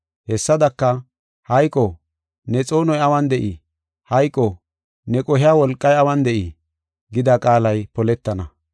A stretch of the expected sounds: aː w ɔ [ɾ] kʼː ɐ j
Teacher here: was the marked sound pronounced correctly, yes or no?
no